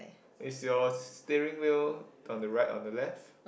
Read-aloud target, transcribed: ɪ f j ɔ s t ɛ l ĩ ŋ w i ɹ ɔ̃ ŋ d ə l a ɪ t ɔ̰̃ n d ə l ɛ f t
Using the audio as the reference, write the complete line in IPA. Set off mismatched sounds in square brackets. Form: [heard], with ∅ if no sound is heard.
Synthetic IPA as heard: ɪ [s] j ɔ s t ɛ [ɹ] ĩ ŋ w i [l] ɔ̃ [n] d ə [ɹ] a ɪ t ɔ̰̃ n d ə l ɛ f t

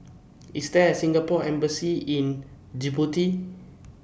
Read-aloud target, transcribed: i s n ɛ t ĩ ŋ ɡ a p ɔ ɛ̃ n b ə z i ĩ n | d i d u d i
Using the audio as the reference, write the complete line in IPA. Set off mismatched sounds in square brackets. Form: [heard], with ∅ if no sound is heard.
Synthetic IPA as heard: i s [d] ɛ [s] ĩ ŋ ɡ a p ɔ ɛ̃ [m] b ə [s] i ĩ n | [d͡ʒ] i [b] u [t] i

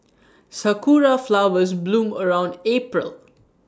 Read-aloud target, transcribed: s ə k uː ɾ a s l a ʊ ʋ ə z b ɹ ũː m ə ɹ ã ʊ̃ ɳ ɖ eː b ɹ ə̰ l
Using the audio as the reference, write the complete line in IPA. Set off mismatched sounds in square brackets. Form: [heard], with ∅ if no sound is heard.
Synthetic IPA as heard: s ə k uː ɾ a [f] l a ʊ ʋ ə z b [l] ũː m ə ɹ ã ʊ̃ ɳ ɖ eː [p] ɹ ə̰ l

